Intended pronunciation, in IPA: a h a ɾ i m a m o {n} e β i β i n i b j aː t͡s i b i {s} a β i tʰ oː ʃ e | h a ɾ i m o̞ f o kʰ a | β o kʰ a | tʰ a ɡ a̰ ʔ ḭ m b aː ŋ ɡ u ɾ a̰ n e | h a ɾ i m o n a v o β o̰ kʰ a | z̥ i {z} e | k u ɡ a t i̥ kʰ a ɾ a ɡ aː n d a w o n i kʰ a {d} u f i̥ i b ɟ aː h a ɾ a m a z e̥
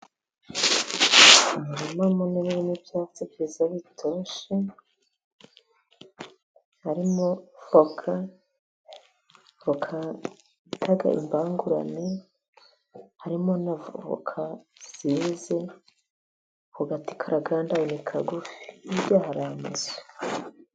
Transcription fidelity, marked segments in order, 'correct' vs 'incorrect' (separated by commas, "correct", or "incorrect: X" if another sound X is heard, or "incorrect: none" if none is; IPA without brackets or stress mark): correct, incorrect: z, correct, incorrect: ɡ